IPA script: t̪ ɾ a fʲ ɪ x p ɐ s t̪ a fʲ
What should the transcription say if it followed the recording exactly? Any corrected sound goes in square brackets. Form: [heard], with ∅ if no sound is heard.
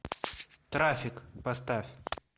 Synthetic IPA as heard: t̪ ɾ a fʲ ɪ [k] p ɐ s t̪ a fʲ